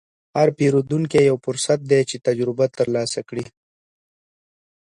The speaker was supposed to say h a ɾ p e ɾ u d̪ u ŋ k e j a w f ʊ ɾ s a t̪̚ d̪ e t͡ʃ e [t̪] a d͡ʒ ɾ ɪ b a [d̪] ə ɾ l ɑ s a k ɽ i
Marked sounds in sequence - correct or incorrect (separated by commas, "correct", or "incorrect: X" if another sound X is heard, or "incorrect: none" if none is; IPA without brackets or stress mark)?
correct, incorrect: t̪